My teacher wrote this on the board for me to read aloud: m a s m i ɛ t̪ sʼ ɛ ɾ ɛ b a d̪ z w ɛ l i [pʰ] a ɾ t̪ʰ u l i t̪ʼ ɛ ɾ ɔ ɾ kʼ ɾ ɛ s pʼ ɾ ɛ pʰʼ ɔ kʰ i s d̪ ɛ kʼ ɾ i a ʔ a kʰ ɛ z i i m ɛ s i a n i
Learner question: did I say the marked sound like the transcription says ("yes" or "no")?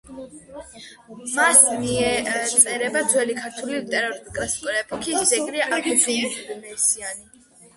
no